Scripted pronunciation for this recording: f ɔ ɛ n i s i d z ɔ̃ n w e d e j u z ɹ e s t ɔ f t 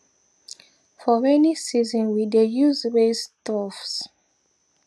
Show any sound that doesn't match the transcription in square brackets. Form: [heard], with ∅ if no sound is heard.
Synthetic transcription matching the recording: f ɔ ɛ n i s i [∅] z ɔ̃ n w [i] d e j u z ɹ e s t ɔ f [s]